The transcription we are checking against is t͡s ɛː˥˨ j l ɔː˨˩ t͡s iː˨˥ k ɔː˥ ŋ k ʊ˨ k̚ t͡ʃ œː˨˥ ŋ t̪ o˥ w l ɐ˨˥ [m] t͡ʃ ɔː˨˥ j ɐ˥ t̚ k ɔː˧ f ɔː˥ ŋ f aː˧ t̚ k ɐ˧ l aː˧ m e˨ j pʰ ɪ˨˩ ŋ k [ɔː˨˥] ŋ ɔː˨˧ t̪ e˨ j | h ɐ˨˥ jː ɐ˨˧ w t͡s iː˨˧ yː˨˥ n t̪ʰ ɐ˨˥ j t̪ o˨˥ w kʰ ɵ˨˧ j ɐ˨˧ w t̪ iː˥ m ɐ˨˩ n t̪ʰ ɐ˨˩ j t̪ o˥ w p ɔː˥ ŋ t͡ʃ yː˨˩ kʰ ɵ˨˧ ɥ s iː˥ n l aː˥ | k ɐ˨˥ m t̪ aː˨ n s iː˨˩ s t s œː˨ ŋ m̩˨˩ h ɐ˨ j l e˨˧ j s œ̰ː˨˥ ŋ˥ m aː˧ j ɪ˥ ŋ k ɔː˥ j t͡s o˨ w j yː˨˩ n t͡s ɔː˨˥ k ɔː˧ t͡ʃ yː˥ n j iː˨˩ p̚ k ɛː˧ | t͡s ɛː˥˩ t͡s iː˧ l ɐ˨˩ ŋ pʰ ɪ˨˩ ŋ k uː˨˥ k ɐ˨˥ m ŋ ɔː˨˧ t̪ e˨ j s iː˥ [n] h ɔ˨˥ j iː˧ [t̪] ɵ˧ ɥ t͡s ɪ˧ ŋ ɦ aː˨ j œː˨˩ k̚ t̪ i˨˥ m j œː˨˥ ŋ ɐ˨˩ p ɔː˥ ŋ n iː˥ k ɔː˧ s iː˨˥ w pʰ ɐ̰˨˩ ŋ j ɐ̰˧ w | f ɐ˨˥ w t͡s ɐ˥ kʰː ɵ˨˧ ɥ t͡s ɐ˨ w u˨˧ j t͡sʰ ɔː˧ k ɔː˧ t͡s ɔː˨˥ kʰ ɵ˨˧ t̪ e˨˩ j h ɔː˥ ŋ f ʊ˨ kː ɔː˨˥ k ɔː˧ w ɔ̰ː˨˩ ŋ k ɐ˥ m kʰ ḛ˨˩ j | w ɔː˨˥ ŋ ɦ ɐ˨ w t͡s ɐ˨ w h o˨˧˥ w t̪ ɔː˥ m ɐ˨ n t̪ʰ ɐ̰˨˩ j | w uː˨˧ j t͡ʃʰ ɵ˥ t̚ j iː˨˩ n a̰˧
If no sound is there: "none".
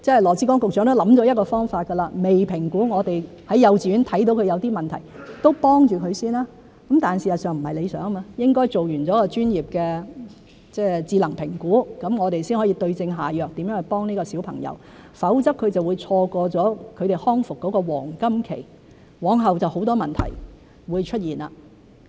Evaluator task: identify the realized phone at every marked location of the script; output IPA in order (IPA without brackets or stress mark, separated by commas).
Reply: m, uː˨˥, n, t̪